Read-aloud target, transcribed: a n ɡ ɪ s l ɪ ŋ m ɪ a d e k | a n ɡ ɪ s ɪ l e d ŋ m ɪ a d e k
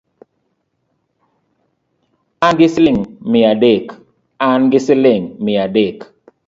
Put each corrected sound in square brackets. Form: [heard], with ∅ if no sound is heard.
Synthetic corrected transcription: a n ɡ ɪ s l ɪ ŋ m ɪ a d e k | a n ɡ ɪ s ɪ l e [∅] ŋ m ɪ a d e k